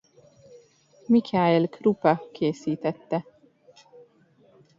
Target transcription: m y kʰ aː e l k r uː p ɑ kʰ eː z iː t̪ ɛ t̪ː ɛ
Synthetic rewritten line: m i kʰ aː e l k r u p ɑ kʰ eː s iː t̪ ɛ t̪ː ɛ